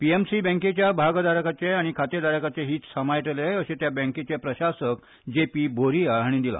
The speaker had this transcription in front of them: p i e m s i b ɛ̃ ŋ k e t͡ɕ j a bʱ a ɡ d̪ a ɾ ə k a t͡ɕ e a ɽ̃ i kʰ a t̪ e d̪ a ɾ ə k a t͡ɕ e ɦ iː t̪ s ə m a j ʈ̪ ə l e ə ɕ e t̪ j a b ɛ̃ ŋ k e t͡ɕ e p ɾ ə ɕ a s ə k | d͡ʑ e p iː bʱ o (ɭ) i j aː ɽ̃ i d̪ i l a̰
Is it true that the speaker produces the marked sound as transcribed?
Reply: no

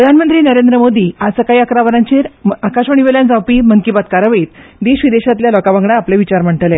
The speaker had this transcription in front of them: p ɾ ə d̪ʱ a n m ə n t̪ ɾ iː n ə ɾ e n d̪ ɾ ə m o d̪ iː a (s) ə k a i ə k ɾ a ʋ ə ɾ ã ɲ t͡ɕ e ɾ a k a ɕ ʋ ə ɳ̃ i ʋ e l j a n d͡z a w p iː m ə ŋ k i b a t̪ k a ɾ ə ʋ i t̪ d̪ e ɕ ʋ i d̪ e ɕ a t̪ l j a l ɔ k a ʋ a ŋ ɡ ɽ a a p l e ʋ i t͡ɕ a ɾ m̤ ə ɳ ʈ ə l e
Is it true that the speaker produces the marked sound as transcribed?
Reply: yes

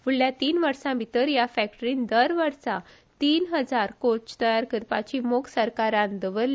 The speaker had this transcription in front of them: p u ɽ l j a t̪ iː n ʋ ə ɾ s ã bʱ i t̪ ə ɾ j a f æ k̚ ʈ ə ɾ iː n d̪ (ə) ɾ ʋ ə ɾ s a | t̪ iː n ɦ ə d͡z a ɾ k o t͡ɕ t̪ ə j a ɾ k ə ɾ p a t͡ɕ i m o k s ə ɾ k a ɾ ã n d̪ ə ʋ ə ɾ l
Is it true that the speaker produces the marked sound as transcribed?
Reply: yes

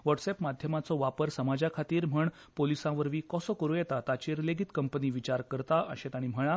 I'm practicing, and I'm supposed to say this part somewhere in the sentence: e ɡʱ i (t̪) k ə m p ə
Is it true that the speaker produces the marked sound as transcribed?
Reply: yes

